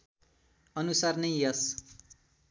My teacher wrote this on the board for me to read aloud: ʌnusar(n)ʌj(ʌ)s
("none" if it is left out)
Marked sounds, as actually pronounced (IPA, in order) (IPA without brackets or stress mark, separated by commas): n, ʌ